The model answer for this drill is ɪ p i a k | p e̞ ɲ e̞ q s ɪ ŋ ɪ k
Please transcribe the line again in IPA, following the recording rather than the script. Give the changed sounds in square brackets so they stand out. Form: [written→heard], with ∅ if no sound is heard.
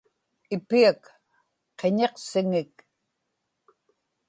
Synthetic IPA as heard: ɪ p i a k | [p→q] e̞ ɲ e̞ q s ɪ ŋ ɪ k